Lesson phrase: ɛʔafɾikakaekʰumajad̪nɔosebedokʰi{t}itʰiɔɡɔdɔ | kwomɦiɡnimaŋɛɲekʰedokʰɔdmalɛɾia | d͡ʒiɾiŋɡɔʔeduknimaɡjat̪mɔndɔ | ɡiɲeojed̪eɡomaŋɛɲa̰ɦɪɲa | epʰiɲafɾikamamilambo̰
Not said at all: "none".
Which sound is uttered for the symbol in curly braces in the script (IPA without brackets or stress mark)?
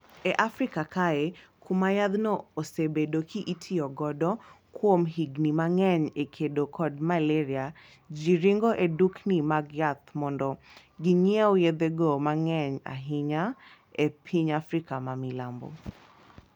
ʔ